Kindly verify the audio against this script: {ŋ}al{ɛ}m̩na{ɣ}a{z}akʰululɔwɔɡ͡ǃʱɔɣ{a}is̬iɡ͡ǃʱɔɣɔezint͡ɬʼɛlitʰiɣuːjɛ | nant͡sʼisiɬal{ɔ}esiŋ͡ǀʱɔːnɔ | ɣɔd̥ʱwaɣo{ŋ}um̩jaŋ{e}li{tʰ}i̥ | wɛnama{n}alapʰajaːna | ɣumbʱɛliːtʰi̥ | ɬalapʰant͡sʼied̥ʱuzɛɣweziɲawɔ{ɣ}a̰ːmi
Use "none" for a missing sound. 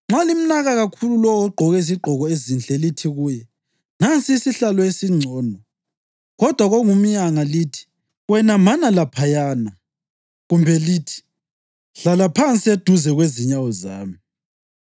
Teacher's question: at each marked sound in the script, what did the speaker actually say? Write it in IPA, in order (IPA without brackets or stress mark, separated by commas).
ŋ͡ǁ, i, ɣ, ɣ, ɛ, ɔ, ŋ, a, tʰ, n, z